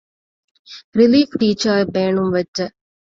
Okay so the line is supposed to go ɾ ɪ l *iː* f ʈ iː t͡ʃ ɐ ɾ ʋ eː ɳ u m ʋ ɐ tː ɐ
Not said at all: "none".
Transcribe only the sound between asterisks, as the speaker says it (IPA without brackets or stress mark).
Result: iː